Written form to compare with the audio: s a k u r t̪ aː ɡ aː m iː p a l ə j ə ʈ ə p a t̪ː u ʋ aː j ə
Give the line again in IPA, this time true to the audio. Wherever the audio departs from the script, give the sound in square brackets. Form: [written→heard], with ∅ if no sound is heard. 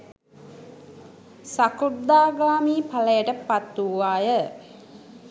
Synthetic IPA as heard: s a k u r [t̪→d̪] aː ɡ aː m iː p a l ə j ə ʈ ə p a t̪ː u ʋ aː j ə